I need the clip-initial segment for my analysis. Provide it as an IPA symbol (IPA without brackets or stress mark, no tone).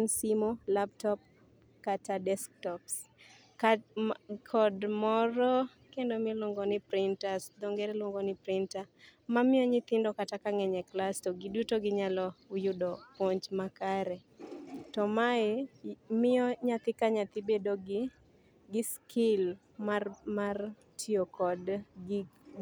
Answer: n